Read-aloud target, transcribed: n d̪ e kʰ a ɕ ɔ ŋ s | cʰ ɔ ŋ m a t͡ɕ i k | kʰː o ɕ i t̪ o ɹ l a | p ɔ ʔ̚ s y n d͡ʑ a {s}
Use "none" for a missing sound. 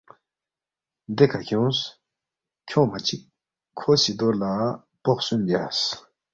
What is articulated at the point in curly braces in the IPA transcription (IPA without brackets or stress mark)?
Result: s